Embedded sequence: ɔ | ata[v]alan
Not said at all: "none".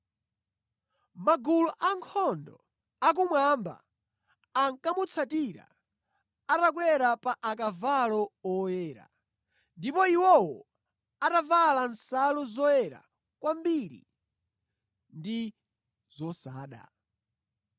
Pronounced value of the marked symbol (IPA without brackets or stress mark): v